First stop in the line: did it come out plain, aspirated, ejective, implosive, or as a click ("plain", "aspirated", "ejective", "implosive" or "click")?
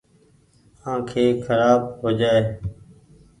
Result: aspirated